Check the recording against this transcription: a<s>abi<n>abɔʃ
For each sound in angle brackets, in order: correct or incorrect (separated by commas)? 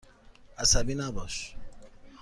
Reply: correct, correct